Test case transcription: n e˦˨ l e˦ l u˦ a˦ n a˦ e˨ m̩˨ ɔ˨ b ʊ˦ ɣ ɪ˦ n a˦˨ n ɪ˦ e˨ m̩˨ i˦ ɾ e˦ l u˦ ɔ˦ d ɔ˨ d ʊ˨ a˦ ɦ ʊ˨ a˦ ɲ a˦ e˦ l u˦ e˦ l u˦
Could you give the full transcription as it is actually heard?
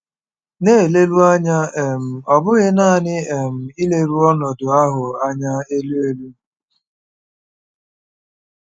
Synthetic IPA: n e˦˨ l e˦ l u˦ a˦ ɲ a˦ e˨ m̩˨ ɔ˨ b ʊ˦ ɣ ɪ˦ n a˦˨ n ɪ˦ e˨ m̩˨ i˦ l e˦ ɾ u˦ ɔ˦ n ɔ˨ d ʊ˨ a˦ ɦ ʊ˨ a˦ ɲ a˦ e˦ l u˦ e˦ l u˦